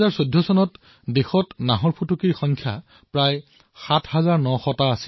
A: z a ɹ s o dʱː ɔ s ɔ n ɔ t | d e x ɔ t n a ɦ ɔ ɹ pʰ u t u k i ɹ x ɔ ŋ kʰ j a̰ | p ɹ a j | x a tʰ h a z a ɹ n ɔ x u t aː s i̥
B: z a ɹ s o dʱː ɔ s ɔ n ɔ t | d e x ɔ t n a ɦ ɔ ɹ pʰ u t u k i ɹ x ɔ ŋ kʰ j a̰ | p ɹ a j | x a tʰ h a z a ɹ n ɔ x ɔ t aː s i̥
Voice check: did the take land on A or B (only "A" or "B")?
B